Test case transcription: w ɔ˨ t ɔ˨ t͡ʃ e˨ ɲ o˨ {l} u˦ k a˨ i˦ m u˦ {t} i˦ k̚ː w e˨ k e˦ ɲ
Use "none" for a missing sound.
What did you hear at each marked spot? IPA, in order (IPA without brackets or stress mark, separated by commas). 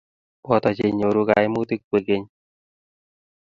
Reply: ɾ, t